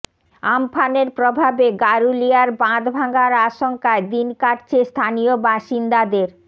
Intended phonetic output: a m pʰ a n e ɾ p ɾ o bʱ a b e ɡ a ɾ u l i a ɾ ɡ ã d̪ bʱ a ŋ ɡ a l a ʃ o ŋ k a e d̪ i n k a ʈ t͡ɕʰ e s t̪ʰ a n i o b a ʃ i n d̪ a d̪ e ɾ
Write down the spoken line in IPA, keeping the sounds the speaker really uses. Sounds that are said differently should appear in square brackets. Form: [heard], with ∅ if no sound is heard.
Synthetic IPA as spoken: a m pʰ a n e ɾ p ɾ o bʱ a b e ɡ a ɾ u l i a ɾ [b] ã d̪ bʱ a ŋ ɡ a [ɾ] a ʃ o ŋ k a e d̪ i n k a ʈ t͡ɕʰ e s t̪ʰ a n i o b a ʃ i n d̪ a d̪ e ɾ